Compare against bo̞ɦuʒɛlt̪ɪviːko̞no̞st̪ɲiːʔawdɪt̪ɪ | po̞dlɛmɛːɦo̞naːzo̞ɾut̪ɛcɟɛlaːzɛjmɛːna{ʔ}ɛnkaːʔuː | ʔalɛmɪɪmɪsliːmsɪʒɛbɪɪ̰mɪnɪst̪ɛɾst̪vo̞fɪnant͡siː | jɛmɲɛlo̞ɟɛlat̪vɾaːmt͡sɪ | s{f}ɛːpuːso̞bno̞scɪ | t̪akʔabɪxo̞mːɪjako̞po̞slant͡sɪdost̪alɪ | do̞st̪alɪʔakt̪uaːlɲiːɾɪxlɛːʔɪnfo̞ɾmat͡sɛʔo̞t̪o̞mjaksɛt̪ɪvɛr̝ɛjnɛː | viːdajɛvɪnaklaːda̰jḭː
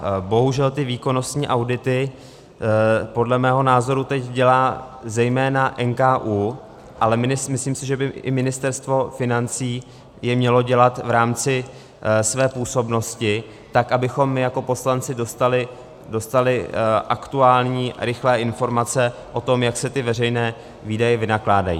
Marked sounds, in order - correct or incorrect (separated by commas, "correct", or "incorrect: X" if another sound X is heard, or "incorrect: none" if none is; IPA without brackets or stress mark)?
correct, incorrect: v